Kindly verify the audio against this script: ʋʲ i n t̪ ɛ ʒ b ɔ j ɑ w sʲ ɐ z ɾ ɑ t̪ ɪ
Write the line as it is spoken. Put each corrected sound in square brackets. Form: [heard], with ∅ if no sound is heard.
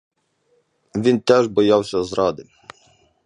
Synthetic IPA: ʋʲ i n t̪ ɛ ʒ b ɔ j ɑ w sʲ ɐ z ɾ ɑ [d̪] ɪ